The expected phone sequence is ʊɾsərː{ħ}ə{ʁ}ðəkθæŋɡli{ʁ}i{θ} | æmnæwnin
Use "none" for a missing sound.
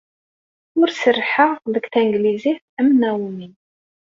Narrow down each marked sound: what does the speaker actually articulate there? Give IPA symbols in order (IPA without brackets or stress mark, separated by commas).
ħ, ʁ, z, θ